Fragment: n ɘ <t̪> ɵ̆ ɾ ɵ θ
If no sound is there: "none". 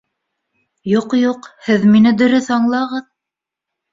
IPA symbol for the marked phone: d̪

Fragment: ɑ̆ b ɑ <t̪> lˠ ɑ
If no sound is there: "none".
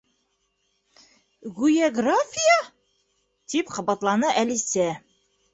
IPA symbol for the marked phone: t̪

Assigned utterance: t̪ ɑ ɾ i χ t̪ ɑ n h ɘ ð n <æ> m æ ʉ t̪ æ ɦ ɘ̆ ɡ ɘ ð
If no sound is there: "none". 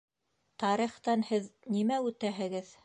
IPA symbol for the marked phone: i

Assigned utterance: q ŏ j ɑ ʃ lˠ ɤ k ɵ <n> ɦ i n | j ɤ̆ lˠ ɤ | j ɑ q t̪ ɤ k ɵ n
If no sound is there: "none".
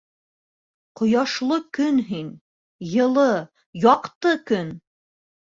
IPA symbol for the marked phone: n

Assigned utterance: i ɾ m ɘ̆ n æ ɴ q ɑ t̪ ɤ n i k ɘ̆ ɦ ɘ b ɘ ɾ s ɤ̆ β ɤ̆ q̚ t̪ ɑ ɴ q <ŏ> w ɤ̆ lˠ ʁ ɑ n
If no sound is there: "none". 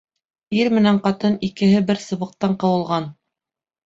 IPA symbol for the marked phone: ɤ̆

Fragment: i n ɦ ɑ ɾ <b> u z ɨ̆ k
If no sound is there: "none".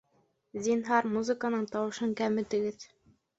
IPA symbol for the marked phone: m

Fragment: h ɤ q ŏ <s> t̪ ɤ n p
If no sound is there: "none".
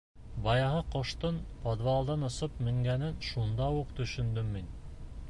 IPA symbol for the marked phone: ʃ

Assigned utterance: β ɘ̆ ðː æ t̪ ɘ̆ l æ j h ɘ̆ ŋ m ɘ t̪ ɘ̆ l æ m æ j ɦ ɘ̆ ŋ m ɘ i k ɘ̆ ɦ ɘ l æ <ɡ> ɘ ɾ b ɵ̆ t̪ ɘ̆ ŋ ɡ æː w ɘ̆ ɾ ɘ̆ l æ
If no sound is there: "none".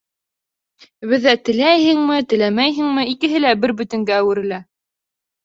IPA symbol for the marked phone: b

